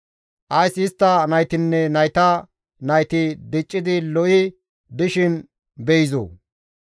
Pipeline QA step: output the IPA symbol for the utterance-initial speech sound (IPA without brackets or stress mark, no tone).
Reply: ʔ